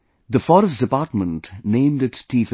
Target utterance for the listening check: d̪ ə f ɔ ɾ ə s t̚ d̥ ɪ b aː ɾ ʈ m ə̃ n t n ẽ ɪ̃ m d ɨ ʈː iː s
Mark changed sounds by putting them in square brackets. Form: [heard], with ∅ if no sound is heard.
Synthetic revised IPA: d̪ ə f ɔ ɾ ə s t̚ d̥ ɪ [p] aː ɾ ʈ m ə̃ n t n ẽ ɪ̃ m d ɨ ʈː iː [f]